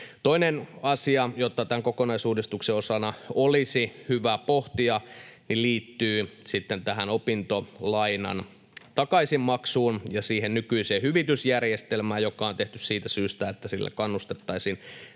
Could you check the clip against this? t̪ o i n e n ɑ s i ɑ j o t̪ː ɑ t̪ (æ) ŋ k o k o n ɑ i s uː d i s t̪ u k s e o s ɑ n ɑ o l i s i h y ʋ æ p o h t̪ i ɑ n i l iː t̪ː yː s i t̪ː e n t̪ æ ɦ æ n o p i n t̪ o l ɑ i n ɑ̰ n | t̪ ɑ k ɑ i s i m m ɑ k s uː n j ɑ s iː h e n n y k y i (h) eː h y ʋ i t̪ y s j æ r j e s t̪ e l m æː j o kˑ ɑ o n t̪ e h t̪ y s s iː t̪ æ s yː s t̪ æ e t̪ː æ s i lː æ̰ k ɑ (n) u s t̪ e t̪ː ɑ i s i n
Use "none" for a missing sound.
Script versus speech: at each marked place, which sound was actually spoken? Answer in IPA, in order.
æ, s, nː

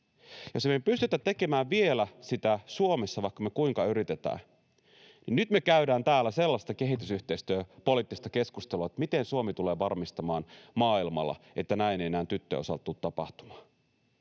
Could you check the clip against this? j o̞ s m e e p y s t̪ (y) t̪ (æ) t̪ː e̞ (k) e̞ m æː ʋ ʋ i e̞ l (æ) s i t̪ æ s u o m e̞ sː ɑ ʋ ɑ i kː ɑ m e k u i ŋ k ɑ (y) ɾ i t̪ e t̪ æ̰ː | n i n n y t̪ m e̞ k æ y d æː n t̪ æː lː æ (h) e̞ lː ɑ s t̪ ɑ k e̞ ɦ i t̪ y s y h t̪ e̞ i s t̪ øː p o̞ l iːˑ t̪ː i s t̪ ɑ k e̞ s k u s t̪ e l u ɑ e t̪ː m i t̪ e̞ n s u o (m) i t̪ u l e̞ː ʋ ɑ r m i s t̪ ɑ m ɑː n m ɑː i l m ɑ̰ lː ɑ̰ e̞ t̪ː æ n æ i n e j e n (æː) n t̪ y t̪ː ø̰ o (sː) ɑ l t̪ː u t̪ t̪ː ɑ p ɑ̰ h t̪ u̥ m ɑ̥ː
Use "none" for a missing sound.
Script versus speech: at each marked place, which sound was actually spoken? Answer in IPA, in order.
y, æ, k, æ, y, s, m, æː, s

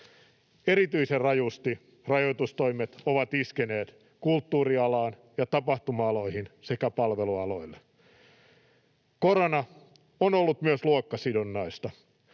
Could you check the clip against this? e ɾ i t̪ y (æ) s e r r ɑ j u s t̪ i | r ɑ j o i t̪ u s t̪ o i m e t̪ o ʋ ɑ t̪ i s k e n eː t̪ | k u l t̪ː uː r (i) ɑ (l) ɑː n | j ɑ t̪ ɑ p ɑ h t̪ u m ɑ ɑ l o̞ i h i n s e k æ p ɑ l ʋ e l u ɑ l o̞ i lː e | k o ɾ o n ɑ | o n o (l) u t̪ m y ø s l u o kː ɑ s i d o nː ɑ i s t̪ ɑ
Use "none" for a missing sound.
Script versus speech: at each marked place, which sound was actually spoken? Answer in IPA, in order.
i, i, l, lː

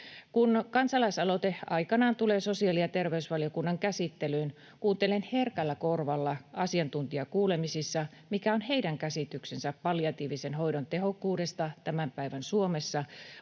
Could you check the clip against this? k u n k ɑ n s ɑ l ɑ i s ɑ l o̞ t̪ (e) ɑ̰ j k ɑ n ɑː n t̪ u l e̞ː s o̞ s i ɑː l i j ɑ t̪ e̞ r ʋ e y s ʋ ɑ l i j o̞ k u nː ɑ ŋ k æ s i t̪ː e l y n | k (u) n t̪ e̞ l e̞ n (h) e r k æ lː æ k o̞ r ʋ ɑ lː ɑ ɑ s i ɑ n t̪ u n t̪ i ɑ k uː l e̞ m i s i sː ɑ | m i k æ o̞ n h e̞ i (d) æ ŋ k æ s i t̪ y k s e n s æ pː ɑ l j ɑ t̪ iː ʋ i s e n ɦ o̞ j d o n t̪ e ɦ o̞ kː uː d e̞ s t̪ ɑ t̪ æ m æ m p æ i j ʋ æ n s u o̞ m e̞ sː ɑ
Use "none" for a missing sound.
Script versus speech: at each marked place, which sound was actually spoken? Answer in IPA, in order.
e, uː, h, d

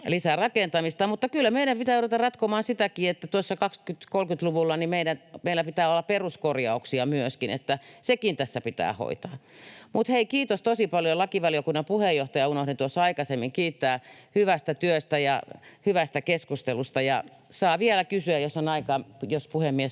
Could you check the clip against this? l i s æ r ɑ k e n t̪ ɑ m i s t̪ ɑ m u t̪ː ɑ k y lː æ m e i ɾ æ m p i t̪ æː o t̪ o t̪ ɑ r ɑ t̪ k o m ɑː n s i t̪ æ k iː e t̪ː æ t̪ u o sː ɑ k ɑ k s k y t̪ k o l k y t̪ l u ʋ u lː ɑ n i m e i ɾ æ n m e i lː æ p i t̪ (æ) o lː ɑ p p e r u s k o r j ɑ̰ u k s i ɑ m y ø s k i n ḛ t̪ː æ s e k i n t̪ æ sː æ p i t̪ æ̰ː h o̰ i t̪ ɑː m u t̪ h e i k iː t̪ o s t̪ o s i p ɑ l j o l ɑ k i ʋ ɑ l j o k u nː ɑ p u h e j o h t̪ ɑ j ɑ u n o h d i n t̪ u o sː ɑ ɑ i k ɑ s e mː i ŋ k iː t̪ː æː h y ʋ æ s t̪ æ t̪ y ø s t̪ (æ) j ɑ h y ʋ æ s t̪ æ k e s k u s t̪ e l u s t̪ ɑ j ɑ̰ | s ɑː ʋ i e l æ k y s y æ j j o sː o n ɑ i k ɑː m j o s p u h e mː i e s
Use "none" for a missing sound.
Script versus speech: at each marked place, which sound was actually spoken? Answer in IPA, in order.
æː, æ

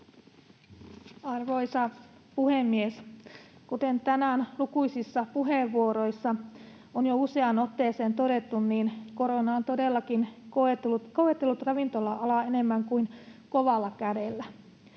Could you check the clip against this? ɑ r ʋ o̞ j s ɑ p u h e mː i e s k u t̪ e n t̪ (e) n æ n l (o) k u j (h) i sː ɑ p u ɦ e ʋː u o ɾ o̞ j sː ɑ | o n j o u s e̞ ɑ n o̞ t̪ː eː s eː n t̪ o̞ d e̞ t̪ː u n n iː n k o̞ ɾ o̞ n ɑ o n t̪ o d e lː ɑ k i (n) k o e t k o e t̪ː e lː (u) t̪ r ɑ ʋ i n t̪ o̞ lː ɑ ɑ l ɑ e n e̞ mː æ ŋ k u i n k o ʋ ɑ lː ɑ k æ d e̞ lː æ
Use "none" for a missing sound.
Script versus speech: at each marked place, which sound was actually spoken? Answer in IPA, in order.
æ, u, s, n, u

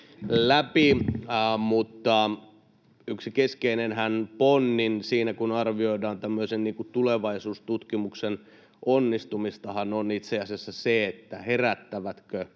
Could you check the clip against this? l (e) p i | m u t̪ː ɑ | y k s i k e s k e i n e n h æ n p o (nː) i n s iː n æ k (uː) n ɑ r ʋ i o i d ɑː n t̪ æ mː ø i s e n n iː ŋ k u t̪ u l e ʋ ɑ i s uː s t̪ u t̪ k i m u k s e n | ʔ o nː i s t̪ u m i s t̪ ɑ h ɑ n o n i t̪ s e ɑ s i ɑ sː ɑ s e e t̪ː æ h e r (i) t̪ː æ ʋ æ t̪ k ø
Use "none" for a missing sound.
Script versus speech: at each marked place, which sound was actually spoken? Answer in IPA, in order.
æ, nː, u, æ

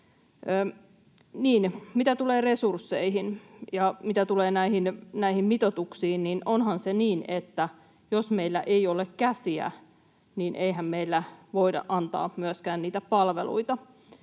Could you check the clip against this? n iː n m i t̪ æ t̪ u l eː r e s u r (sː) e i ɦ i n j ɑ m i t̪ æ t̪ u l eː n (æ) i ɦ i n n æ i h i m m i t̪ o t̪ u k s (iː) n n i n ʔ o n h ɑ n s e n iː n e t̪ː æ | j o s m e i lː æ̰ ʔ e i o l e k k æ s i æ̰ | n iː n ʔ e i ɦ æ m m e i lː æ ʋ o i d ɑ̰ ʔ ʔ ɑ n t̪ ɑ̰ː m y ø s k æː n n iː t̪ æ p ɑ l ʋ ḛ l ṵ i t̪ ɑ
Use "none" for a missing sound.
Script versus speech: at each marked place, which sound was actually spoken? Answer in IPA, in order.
sː, æ, iː

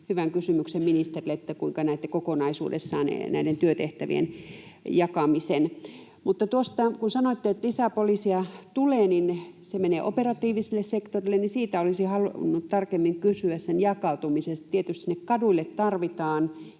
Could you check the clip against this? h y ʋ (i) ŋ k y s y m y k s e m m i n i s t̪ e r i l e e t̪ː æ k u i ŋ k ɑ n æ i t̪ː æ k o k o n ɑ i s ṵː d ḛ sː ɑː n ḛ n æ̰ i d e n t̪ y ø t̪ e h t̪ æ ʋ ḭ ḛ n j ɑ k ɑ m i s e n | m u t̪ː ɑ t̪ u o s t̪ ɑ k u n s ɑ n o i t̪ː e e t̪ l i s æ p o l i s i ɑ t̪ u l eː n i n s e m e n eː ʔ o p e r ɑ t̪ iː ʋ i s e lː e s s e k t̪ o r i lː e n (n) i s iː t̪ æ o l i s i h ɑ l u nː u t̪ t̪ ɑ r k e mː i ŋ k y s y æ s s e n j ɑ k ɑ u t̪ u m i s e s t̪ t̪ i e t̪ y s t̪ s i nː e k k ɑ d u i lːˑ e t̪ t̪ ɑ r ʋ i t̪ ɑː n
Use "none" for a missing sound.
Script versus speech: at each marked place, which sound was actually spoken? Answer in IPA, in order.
æ, n

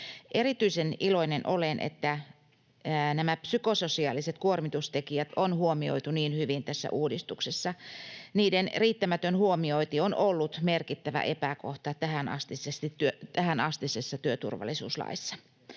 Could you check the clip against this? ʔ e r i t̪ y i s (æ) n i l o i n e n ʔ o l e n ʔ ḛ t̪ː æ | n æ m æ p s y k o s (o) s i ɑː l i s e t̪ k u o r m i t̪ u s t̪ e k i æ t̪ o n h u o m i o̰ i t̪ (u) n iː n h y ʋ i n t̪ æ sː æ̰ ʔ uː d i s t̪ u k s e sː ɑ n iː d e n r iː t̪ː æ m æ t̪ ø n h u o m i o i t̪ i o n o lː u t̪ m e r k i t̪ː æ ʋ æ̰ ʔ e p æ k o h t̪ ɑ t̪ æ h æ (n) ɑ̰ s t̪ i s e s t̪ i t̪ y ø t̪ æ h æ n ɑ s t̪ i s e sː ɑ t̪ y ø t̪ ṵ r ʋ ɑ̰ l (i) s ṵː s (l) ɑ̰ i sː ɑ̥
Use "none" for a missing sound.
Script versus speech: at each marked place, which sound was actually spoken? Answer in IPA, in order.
e, o, u, n, i, l

